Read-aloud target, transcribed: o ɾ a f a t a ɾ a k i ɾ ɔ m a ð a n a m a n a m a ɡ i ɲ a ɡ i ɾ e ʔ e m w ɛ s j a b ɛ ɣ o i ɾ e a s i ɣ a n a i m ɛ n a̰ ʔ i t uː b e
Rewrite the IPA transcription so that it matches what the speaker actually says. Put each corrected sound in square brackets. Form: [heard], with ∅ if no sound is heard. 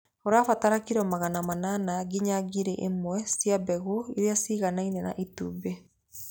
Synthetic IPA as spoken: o ɾ a f a t a ɾ a k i ɾ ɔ m a [ɣ] a n a m a n a [n] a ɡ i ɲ a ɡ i ɾ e ʔ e m w ɛ s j a b ɛ ɣ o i ɾ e a s i ɣ a n a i [n] ɛ n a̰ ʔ i t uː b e